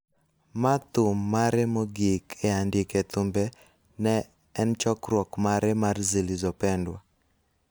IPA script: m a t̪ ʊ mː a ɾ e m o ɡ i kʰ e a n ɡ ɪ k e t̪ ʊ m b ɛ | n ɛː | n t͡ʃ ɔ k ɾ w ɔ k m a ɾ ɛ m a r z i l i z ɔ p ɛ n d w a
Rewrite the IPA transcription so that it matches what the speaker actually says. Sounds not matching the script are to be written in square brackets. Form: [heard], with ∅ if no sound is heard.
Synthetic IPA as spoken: m a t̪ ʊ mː a ɾ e m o ɡ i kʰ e a n [d] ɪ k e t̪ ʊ m b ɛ | n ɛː | n t͡ʃ ɔ k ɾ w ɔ k m a ɾ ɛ m a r z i l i z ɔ p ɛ n d w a

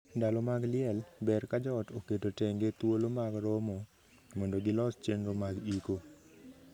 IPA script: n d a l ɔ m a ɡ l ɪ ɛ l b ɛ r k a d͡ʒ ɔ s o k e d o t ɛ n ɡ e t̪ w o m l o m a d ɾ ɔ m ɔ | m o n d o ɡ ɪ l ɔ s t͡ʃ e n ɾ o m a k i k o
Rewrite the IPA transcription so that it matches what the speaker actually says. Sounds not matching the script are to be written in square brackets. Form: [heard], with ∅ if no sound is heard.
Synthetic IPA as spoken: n d a l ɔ m a ɡ l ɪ ɛ l b ɛ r k a d͡ʒ ɔ [t] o k e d o t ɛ [ŋ] ɡ e t̪ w o [∅] l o m a [ɡ] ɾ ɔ m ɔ | m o n d o ɡ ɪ l ɔ s t͡ʃ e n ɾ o m a [ɡ] i k o

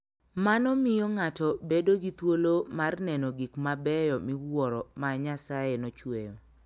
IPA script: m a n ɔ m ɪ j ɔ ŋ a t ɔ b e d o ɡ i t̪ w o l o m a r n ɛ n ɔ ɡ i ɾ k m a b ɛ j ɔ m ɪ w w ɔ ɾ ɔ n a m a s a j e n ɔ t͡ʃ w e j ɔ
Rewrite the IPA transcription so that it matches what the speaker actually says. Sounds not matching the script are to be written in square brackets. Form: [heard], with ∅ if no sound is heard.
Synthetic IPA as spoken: m a n ɔ m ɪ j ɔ ŋ a t ɔ b e d o ɡ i t̪ w o l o m a r n ɛ n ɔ ɡ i [∅] k m a b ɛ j ɔ m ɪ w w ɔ ɾ ɔ [m] a [ɲ] a s a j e n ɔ t͡ʃ w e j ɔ

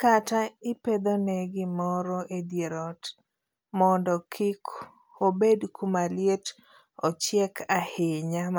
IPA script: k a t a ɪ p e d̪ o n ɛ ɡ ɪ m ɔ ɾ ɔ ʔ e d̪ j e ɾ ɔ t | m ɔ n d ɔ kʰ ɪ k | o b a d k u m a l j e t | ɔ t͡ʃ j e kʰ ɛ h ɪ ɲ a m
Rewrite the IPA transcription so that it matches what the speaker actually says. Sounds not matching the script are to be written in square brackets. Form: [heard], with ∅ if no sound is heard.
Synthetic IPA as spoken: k a t a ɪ p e d̪ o n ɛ ɡ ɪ m ɔ ɾ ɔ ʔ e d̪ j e ɾ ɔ t | m ɔ n d ɔ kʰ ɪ k | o b [e] d k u m a l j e t | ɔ t͡ʃ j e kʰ [a] h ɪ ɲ a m

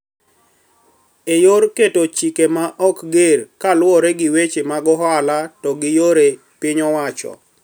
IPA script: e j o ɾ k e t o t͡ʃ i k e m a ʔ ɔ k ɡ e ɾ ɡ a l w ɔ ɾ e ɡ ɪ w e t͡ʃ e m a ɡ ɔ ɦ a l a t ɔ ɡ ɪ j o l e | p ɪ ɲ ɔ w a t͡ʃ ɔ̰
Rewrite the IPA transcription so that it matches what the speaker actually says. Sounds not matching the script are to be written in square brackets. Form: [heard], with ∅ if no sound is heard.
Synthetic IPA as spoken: e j o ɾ k e t o t͡ʃ i k e m a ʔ ɔ k ɡ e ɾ [k] a l w ɔ ɾ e ɡ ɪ w e t͡ʃ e m a ɡ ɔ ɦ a l a t ɔ ɡ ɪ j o [ɾ] e | p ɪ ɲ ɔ w a t͡ʃ ɔ̰

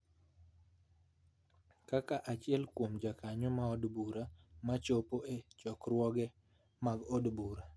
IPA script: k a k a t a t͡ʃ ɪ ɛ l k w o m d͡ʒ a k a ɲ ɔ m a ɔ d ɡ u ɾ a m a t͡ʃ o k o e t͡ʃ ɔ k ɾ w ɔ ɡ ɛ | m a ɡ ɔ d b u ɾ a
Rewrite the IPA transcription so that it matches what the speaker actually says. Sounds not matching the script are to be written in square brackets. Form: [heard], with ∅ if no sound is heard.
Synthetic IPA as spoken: k a k a [ʔ] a t͡ʃ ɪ ɛ l k w o m d͡ʒ a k a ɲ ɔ m a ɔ d [b] u ɾ a m a t͡ʃ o [p] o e t͡ʃ ɔ k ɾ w ɔ ɡ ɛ | m a ɡ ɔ d b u ɾ a

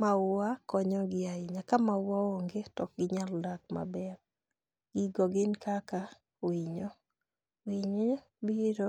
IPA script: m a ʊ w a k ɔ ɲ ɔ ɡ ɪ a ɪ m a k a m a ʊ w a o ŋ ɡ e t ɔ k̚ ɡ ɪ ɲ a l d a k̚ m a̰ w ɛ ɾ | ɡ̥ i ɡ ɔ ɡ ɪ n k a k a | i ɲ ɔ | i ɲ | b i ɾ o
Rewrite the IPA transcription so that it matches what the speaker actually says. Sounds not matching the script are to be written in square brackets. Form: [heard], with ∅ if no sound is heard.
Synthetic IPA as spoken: m a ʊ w a k ɔ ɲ ɔ ɡ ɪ a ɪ [ɲ] a k a m a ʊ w a o ŋ ɡ e t ɔ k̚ ɡ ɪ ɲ a l d a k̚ m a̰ [b] ɛ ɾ | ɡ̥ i ɡ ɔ ɡ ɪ n k a k a | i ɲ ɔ | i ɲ | b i ɾ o

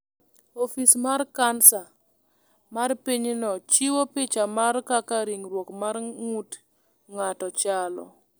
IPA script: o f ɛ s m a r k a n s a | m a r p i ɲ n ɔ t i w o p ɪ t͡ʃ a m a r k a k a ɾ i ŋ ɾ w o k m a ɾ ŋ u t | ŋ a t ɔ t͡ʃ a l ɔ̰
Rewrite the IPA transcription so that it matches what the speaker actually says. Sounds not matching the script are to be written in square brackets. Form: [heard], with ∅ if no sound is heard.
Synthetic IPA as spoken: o f [i] s m a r k a n s a | m a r p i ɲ n ɔ [t͡ʃ] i w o p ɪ t͡ʃ a m a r k a k a ɾ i ŋ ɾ w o k m a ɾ ŋ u t | ŋ a t ɔ t͡ʃ a l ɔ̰

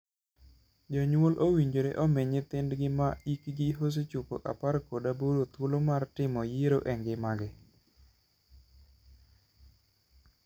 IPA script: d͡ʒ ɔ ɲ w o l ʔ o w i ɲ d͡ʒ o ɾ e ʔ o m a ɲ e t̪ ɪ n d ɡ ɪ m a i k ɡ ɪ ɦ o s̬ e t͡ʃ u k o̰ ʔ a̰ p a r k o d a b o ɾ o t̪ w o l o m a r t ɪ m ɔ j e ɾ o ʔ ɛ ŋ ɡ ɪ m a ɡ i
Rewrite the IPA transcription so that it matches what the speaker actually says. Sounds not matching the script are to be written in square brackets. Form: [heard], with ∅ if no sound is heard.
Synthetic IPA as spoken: d͡ʒ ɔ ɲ w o l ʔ o w i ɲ d͡ʒ o ɾ e ʔ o m [e] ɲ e t̪ ɪ n d ɡ ɪ m a i k ɡ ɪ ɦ o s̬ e t͡ʃ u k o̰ ʔ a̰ p a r k o d a b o ɾ o t̪ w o l o m a r t ɪ m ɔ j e ɾ o ʔ ɛ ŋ ɡ ɪ m a ɡ [ɪ]

